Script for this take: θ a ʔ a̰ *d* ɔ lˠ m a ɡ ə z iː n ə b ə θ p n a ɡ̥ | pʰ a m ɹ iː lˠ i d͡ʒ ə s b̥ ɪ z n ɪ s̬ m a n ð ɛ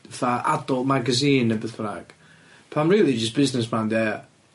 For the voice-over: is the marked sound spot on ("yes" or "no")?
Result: yes